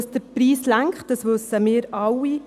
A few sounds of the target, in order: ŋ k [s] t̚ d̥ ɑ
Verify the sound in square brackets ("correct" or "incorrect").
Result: incorrect